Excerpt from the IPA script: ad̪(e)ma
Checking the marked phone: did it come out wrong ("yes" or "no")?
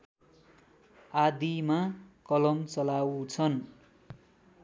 yes